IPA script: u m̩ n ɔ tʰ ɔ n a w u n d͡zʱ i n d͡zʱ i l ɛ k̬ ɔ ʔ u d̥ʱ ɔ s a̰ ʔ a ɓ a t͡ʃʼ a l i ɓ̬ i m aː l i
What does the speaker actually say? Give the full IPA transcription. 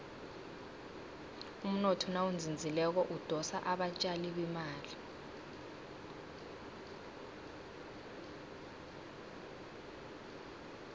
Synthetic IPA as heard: u m̩ n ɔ tʰ ɔ n a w u n d͡zʱ i n d͡zʱ i l ɛ k̬ ɔ ʔ u d̥ʱ ɔ s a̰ ʔ a ɓ a t͡ʃʼ a l i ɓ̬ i m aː l i